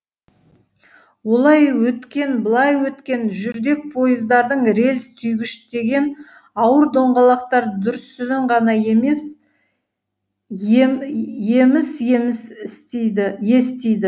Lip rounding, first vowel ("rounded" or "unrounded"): rounded